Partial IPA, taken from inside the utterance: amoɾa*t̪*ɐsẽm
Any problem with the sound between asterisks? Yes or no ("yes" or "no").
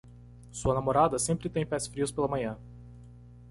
yes